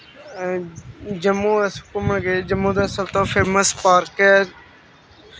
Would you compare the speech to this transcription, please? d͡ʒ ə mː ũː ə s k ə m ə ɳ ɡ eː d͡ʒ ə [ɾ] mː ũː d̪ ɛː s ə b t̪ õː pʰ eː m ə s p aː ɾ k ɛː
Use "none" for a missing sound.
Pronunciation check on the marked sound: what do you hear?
none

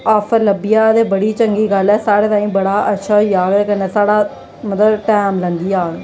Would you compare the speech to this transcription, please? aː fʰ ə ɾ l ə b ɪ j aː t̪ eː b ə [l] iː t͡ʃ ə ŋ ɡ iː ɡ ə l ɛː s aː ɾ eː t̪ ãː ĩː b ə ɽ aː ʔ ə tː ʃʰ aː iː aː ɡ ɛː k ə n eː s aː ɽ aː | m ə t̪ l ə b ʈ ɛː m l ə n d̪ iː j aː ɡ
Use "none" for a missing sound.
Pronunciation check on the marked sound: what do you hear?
ɽ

